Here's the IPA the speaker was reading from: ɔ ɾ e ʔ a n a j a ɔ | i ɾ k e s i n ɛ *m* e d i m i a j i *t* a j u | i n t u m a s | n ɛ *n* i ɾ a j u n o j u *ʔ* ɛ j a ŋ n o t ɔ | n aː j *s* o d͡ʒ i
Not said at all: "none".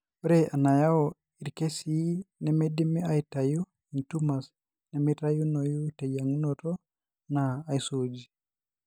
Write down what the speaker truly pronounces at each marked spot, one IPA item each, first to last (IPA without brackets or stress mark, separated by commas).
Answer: m, t, m, t, s